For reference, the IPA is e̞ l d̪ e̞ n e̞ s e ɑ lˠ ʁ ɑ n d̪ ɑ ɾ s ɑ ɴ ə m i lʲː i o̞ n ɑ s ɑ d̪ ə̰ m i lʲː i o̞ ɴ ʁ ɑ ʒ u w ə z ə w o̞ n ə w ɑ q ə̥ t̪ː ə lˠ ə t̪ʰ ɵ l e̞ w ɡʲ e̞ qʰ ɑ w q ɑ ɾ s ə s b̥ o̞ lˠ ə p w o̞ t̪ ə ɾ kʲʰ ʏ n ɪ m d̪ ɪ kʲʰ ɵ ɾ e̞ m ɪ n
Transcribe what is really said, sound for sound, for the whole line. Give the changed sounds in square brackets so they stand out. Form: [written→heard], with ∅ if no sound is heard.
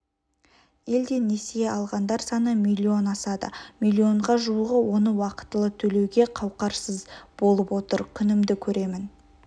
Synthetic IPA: e̞ l d̪ e̞ n e̞ s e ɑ lˠ ʁ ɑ n d̪ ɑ ɾ s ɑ [ɴ→n] ə m i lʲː i o̞ n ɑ s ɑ d̪ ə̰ m i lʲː i o̞ ɴ ʁ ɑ ʒ u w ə [z→ʁ] ə w o̞ n ə w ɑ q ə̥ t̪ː ə lˠ ə t̪ʰ ɵ l e̞ w ɡʲ e̞ qʰ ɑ w q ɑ ɾ s ə [s→z] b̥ o̞ lˠ ə p w o̞ t̪ ə ɾ kʲʰ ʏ n ɪ m d̪ ɪ kʲʰ ɵ ɾ e̞ m ɪ n